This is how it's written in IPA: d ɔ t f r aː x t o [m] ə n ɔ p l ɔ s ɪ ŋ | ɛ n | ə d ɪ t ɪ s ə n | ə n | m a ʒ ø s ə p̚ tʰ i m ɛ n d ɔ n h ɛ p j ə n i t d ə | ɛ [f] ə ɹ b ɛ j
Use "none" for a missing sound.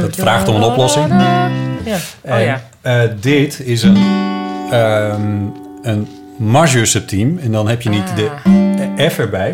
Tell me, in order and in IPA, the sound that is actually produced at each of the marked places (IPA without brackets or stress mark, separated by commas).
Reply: m, f